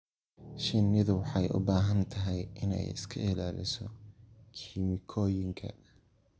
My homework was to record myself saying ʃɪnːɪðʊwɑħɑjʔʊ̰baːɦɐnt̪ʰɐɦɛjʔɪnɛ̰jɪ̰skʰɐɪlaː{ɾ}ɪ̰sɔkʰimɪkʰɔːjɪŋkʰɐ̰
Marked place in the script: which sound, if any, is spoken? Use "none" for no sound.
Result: l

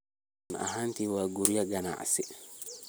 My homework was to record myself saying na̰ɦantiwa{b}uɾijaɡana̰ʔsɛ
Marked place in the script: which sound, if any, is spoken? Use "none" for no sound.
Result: ɡ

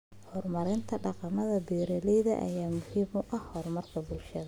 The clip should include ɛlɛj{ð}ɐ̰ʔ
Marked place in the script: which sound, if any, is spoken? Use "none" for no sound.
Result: ð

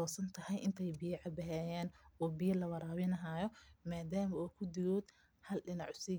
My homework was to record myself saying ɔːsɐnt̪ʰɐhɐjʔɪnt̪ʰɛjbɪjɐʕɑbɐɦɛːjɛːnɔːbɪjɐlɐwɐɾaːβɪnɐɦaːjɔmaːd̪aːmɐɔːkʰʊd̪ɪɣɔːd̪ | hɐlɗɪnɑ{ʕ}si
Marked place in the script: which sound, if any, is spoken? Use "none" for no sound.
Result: ʕ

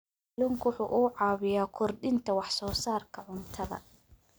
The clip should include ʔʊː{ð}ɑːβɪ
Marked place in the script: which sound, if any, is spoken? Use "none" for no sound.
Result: ʕ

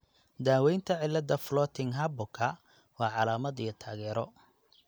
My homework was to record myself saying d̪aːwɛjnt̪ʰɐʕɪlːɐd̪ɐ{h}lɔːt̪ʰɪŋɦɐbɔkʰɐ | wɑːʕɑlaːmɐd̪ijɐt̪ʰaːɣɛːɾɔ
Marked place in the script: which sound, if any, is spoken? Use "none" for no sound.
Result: f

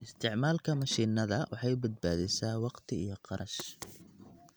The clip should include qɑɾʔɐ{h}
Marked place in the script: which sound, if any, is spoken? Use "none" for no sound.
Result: ʃ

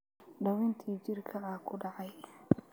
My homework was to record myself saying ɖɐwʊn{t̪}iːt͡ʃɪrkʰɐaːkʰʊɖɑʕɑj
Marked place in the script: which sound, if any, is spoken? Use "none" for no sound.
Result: t̪ʰ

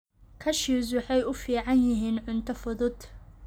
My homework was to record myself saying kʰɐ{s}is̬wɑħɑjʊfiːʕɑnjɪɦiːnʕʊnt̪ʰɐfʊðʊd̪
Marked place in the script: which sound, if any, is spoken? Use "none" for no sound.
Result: ʃ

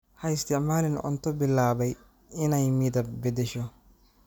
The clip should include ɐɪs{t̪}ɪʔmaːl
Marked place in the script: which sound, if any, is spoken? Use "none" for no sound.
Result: t̪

